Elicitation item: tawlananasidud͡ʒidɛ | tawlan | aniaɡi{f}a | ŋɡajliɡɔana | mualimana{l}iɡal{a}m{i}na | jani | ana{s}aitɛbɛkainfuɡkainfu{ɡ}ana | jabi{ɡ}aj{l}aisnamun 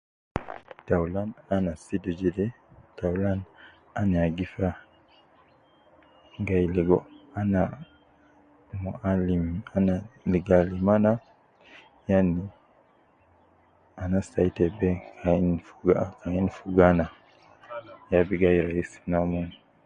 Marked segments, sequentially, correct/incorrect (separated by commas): correct, correct, incorrect, incorrect, correct, correct, correct, incorrect